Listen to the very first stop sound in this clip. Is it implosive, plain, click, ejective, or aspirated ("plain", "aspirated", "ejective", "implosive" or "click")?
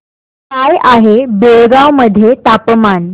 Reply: plain